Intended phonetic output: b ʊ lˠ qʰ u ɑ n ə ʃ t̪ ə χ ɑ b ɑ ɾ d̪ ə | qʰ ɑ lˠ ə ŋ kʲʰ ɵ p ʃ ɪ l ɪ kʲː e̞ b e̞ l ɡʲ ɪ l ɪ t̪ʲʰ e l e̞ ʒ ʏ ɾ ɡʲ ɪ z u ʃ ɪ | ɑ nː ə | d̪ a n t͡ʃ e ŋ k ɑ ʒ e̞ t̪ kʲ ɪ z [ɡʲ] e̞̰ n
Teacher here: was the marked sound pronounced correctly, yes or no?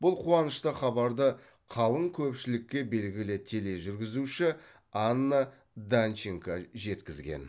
yes